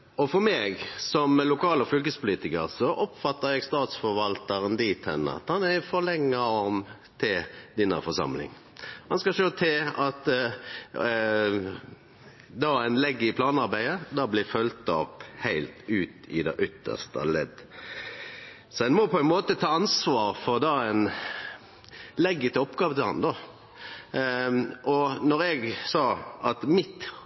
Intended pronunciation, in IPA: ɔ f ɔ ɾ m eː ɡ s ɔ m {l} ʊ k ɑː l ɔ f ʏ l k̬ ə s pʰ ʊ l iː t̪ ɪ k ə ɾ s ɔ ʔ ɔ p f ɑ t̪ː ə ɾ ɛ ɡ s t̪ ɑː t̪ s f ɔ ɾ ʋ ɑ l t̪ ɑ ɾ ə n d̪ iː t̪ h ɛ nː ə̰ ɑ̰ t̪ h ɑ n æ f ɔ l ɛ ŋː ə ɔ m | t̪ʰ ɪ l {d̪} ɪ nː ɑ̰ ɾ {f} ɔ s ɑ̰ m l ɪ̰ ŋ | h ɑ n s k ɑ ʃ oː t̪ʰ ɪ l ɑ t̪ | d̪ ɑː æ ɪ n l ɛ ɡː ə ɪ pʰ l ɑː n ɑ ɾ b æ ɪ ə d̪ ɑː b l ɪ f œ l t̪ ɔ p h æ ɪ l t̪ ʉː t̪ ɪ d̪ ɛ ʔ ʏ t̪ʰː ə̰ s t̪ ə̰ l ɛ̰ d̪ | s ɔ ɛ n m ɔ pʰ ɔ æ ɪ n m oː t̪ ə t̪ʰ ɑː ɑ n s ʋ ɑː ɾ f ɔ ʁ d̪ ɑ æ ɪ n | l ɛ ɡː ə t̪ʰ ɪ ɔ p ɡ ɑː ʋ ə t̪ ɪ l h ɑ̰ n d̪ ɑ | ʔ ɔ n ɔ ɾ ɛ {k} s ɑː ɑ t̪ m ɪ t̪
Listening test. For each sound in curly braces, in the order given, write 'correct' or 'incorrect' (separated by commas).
correct, correct, correct, incorrect